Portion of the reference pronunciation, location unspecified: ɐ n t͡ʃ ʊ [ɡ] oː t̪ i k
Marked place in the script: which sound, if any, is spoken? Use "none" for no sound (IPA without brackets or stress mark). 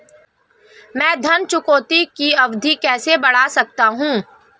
k